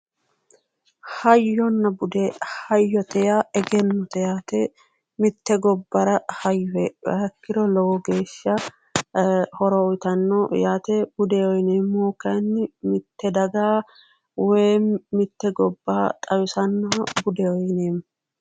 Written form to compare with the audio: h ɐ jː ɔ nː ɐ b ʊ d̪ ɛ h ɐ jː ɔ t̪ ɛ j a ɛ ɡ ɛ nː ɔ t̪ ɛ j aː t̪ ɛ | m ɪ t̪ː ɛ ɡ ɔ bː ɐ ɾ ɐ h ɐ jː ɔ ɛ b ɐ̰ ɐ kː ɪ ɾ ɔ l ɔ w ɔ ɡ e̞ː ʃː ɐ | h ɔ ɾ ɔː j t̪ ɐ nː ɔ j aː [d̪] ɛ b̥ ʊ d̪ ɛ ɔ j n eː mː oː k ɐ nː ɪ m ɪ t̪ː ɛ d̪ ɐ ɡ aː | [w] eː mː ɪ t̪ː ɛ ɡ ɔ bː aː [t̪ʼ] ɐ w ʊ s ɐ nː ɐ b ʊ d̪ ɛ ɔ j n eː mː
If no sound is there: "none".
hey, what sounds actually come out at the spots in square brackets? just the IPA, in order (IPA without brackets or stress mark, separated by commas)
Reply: t̪, w, t̪ʼ